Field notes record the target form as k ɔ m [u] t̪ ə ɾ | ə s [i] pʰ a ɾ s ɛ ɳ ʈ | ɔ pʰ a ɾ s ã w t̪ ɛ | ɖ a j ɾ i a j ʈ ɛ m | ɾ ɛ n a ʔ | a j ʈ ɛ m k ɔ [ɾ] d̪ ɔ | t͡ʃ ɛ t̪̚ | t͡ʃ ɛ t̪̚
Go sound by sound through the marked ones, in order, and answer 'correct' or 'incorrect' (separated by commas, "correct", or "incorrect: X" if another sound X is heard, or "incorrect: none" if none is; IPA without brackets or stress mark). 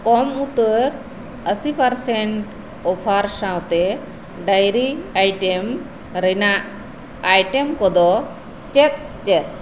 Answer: correct, correct, incorrect: none